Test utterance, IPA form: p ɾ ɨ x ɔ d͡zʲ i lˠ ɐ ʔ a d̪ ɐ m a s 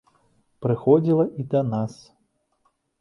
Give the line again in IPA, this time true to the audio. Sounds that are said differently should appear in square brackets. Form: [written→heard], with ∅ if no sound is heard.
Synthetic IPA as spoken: p ɾ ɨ x ɔ d͡zʲ i lˠ ɐ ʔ [a→i] d̪ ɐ [m→n] a s